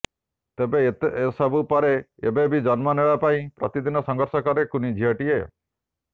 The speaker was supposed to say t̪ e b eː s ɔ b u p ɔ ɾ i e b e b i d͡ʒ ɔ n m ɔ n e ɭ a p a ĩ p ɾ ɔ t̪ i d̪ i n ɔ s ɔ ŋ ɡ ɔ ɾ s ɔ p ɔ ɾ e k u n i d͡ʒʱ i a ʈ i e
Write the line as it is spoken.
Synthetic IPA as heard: t̪ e b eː s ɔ b u p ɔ ɾ e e b e b i d͡ʒ ɔ n m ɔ n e ɭ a p a ĩ p ɾ ɔ t̪ i d̪ i n ɔ s ɔ ŋ ɡ ɔ ɾ s ɔ k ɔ ɾ e k u n i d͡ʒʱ i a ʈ i e